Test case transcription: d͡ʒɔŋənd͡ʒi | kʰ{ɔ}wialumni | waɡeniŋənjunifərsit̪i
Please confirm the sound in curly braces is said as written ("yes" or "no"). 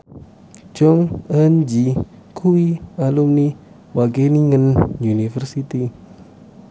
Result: no